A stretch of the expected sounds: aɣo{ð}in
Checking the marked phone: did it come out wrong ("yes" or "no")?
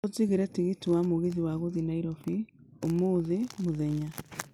no